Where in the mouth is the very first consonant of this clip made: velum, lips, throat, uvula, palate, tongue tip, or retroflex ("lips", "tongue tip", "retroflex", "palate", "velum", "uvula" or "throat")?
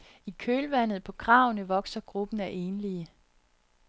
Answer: velum